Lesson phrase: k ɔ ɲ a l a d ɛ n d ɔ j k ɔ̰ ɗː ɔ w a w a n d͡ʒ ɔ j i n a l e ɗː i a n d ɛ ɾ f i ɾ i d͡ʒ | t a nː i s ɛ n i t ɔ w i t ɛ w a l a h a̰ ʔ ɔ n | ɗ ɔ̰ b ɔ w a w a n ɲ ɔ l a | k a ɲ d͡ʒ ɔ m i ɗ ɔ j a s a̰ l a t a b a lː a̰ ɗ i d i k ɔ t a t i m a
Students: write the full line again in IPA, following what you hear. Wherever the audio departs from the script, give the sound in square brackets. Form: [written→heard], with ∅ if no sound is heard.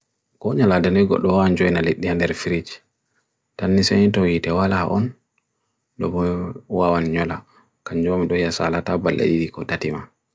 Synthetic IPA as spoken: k ɔ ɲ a l a d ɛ n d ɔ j [k→ɡ] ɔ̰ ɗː ɔ w a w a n d͡ʒ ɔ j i n a l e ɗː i a n d ɛ ɾ f i ɾ i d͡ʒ | t a nː i s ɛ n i t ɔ w i t ɛ w a l a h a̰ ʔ ɔ n | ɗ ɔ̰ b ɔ w a w a n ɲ ɔ l a | k a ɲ d͡ʒ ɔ m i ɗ ɔ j a s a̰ l a t a b a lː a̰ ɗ i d i k ɔ t a t i m a